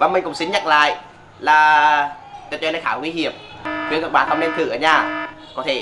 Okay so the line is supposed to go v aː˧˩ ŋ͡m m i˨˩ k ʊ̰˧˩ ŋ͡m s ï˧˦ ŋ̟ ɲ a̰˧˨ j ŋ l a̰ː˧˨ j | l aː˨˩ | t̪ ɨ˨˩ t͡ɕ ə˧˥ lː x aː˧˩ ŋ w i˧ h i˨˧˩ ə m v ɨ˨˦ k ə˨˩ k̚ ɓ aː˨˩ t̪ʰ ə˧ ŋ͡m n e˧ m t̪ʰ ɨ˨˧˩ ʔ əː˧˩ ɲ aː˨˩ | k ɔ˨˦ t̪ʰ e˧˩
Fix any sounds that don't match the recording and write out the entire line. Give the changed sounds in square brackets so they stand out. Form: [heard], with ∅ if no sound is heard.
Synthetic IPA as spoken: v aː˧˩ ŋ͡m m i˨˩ k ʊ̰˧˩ ŋ͡m s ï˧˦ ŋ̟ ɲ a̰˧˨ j ŋ l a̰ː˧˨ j | l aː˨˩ | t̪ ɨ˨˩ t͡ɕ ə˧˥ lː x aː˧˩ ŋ w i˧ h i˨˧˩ ə m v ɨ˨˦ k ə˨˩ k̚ ɓ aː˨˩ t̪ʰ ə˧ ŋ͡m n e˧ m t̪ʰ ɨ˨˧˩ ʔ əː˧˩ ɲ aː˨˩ | k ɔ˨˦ t̪ʰ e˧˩